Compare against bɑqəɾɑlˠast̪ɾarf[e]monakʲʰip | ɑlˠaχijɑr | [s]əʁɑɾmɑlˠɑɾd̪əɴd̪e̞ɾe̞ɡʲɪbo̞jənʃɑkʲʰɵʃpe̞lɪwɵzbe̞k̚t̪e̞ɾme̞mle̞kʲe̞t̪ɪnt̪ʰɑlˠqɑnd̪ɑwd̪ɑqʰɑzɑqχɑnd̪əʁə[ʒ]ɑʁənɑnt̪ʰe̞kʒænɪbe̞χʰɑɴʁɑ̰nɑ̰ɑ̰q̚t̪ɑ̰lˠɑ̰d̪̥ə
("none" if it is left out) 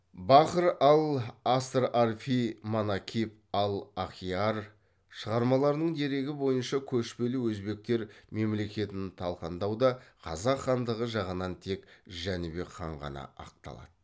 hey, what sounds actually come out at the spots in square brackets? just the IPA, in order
i, ʃ, ʒ

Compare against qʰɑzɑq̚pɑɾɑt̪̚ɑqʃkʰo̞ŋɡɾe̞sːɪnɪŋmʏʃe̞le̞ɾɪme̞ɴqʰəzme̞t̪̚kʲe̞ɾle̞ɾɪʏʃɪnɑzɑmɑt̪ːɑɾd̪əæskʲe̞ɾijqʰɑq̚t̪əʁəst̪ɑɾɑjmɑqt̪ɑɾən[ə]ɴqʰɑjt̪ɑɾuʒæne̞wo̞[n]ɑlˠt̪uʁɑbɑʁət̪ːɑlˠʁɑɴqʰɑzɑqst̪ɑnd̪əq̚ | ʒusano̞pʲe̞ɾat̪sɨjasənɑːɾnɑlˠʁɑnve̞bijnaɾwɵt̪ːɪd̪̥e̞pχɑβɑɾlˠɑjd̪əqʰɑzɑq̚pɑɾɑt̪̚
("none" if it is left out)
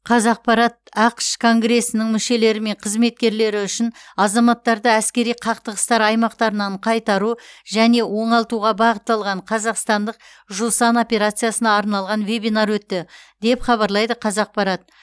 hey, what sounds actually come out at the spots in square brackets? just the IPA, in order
ɑ, ɴ

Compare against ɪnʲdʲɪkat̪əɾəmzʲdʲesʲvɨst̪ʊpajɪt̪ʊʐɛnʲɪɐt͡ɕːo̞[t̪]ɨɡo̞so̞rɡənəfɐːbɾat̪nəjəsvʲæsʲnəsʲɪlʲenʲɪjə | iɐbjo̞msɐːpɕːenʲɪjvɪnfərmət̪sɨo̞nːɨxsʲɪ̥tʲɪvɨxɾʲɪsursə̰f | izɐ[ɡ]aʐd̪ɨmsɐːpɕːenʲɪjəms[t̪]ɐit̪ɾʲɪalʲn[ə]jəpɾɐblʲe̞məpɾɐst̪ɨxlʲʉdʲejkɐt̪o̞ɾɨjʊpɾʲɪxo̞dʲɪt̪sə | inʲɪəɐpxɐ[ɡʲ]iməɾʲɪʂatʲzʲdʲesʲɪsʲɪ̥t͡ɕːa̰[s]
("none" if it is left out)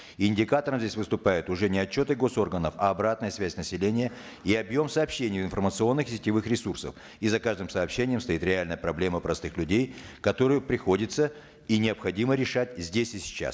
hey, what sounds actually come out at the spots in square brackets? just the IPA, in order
t̪, k, t̪, ə, dʲ, s

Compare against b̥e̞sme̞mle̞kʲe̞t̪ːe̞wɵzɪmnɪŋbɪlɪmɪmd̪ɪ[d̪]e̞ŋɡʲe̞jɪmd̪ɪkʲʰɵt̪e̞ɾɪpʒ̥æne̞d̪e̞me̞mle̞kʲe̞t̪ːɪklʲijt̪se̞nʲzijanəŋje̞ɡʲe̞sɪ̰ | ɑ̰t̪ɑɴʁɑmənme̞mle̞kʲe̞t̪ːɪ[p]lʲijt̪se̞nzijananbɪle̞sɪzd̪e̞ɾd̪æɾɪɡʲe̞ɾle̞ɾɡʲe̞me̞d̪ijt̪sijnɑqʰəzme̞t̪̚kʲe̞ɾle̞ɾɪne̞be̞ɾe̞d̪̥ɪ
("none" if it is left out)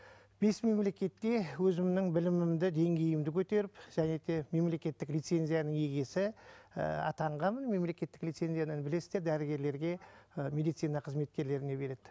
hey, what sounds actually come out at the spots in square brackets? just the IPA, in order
d̪, k

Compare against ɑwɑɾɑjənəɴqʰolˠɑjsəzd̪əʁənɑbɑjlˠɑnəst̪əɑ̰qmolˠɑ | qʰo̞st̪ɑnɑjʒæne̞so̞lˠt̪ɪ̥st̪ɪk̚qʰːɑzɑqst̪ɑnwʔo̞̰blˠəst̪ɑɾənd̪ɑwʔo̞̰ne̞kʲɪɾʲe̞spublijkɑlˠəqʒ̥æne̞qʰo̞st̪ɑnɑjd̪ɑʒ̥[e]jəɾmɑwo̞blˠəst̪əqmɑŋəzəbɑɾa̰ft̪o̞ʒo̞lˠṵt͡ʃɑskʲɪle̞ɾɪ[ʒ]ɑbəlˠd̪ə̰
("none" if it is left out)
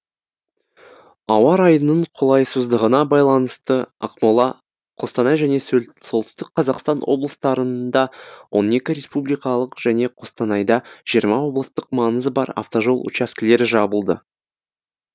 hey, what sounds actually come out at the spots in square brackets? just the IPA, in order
i, ʒ

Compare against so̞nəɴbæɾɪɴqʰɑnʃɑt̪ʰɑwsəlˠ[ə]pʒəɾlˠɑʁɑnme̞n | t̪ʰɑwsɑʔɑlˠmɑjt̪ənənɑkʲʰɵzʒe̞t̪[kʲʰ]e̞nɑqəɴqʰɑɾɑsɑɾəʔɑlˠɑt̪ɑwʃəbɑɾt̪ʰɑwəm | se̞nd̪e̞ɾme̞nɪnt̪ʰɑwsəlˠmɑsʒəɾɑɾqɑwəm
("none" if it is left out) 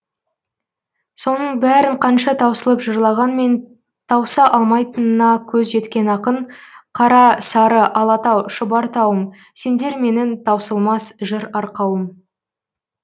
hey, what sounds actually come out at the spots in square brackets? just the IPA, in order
ə, kʲ

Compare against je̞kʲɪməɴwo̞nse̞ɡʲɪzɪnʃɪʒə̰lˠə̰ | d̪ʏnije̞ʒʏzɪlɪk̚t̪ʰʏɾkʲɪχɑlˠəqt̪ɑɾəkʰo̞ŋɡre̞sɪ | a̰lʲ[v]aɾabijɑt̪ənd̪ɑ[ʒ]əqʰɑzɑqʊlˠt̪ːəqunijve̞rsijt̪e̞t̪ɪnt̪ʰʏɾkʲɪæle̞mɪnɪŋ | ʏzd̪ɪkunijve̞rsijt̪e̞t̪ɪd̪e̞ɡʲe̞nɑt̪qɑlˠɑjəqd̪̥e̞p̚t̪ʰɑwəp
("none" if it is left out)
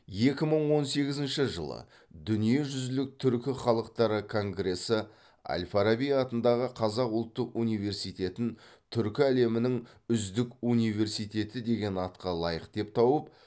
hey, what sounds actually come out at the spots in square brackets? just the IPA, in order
f, ʁ

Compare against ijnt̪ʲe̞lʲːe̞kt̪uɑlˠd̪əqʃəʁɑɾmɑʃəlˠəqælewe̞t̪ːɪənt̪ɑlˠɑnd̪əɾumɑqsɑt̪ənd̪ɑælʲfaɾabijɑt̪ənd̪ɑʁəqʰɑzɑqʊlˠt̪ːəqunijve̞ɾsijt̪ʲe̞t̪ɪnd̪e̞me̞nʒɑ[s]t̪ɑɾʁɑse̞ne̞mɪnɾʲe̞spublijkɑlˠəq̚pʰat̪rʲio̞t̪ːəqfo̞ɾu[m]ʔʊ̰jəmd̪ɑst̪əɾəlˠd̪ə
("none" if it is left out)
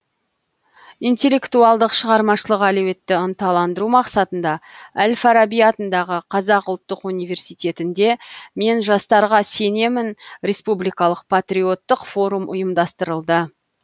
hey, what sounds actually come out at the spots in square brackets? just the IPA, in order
s, m

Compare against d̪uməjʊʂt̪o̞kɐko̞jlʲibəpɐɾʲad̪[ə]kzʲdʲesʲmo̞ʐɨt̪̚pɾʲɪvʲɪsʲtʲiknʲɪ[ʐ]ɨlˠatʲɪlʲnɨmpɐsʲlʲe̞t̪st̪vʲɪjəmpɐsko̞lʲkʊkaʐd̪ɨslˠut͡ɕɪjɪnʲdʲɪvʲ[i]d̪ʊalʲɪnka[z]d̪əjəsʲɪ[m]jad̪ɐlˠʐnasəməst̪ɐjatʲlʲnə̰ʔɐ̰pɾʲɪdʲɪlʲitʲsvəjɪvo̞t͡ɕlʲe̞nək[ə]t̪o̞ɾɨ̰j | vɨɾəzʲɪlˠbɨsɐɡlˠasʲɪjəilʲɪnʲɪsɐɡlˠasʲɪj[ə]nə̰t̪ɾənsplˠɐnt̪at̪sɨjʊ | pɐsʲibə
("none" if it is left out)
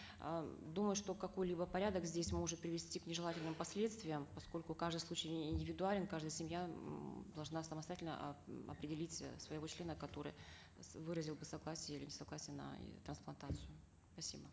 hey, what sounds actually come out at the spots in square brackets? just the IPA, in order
ə, ʐ, ɪ, ʐ, m, ɐ, ə

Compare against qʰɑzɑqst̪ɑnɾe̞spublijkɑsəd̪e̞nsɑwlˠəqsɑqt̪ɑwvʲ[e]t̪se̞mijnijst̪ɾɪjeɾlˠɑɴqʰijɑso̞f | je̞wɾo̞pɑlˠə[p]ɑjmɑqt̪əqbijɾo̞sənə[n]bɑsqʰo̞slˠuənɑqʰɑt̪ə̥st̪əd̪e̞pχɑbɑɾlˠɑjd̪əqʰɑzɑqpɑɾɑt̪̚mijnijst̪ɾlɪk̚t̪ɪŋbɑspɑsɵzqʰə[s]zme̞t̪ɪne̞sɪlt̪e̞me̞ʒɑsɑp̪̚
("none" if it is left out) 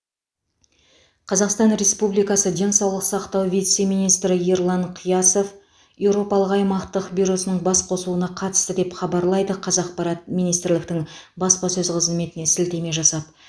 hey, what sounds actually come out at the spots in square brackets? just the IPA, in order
i, q, ɴ, z

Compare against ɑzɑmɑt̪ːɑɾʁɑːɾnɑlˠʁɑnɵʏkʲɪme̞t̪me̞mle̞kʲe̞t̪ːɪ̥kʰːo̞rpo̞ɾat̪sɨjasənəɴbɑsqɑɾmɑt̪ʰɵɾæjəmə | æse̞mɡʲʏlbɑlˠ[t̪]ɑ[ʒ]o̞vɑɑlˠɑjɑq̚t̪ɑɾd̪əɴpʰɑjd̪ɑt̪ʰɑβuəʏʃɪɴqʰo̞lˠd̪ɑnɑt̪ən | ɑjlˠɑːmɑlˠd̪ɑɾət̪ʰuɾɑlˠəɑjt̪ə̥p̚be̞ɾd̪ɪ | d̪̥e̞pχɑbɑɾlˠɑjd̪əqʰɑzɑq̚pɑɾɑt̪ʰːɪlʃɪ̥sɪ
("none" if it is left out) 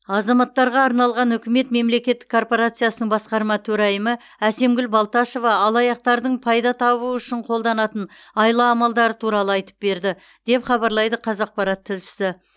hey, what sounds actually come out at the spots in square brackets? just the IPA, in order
t̪, ʃ

